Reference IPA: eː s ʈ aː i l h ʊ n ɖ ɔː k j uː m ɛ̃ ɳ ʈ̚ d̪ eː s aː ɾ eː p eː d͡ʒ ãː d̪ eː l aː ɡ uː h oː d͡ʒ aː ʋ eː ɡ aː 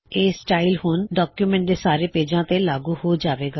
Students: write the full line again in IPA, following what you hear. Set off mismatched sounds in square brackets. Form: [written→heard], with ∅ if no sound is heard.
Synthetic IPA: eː s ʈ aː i l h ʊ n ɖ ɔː k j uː m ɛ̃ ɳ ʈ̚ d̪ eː s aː ɾ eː p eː d͡ʒ ãː [d̪→t̪] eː l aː ɡ uː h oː d͡ʒ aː ʋ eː ɡ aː